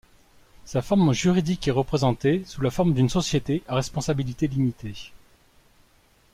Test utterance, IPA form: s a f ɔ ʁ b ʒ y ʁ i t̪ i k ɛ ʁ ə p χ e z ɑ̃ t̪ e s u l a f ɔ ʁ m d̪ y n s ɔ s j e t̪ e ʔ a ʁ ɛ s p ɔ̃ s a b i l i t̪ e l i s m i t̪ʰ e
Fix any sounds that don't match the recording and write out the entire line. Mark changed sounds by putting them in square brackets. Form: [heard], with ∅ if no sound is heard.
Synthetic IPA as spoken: s a f ɔ ʁ [m] ʒ y ʁ i [d̪] i k ɛ ʁ ə p χ e z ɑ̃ t̪ e s u l a f ɔ ʁ m d̪ y n s ɔ s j e t̪ e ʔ a ʁ ɛ s p ɔ̃ s a b i l i t̪ e l i [∅] m i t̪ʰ e

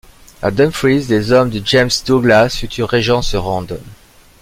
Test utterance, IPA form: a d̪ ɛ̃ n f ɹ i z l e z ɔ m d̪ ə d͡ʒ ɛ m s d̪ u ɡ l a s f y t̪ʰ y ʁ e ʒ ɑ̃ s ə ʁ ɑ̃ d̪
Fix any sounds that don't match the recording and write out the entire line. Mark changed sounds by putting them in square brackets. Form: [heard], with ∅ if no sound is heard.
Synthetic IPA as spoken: a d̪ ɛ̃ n f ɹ i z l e z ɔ m d̪ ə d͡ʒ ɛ m s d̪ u ɡ l a s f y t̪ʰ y ʁ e ʒ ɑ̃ s ə ʁ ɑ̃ d̪

